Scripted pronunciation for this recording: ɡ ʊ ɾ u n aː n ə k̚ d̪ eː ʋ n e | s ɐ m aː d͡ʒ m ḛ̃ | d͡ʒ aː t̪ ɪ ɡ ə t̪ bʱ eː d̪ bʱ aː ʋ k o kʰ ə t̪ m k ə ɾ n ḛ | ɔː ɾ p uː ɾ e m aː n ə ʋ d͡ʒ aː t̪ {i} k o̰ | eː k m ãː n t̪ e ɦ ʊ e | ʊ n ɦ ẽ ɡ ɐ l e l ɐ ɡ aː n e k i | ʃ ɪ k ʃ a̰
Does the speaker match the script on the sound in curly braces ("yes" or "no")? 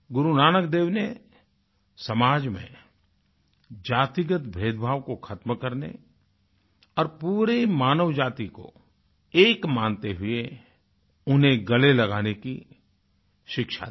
yes